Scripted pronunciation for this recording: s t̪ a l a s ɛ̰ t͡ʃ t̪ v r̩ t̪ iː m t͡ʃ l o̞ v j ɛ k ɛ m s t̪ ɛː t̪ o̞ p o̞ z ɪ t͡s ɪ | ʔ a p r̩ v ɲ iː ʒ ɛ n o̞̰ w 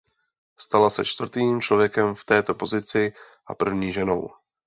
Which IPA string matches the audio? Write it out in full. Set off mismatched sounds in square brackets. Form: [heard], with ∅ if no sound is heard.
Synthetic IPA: s t̪ a l a s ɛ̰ t͡ʃ t̪ v r̩ t̪ iː m t͡ʃ l o̞ v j ɛ k ɛ m [f] t̪ ɛː t̪ o̞ p o̞ z ɪ t͡s ɪ | ʔ a p r̩ v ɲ iː ʒ ɛ n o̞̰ w

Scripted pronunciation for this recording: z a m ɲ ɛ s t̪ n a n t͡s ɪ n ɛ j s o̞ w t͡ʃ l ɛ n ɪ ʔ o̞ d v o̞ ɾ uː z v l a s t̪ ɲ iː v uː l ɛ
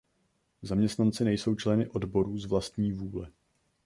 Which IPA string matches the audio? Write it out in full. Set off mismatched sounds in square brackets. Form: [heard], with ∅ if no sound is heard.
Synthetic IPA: z a m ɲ ɛ s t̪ n a n t͡s ɪ n ɛ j s o̞ w t͡ʃ l ɛ n ɪ ʔ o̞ d [b] o̞ ɾ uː z v l a s t̪ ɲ iː v uː l ɛ

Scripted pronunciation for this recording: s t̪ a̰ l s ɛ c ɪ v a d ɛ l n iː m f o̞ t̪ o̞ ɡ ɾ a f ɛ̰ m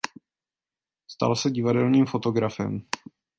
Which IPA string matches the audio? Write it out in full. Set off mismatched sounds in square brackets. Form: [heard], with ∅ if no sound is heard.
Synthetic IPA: s t̪ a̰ l s ɛ [ɟ] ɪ v a d ɛ l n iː m f o̞ t̪ o̞ ɡ ɾ a f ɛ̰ m

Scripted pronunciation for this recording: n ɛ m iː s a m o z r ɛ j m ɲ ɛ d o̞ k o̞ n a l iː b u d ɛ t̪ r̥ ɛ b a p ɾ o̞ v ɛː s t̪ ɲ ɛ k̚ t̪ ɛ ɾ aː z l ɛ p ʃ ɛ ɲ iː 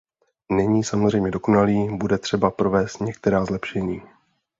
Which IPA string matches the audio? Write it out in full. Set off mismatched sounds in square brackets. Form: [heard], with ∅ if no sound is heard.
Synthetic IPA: n ɛ [ɲ] iː s a m o z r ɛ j m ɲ ɛ d o̞ k o̞ n a l iː b u d ɛ t̪ r̥ ɛ b a p ɾ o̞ v ɛː s t̪ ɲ ɛ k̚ t̪ ɛ ɾ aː z l ɛ p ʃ ɛ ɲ iː

